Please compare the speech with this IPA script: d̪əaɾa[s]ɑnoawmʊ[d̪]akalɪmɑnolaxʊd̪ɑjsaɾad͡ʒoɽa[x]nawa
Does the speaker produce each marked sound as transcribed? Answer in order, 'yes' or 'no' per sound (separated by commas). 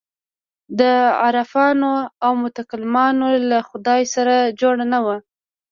no, no, no